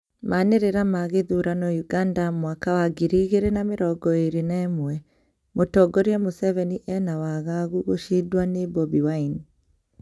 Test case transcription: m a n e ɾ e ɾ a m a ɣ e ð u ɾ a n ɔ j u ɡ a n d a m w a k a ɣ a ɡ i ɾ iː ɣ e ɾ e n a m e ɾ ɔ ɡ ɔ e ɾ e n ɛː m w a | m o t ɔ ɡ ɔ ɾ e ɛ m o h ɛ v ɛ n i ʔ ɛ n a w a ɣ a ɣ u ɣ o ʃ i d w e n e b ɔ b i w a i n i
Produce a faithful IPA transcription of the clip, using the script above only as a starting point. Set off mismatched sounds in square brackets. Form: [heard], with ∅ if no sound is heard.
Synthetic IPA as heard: m a n e ɾ e ɾ a m a ɣ e ð u ɾ a n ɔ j u ɡ a n d a m w a k a [w] a ɡ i ɾ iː ɣ e ɾ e n a m e ɾ ɔ ɡ ɔ e ɾ e n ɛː m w [ɛ] | m o t ɔ ɡ ɔ ɾ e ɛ m o [s] ɛ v ɛ n i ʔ ɛ n a w a ɣ a ɣ u ɣ o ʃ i d w [a] n e b ɔ b i w a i n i